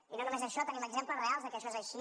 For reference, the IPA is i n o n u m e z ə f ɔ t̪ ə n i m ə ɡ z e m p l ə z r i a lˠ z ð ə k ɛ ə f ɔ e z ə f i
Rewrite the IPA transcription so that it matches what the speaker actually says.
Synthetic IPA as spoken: i n o n u m e z ə ʃ ɔ t̪ ə n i m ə ɡ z e m p l ə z r e a lˠ z ð ə k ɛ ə ʃ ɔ e z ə ʃ i